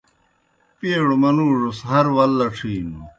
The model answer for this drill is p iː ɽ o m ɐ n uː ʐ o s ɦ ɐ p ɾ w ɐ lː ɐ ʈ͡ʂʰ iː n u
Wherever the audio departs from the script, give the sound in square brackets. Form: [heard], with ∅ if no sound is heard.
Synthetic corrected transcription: p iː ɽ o m ɐ n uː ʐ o s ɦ ɐ [∅] ɾ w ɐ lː ɐ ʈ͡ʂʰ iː n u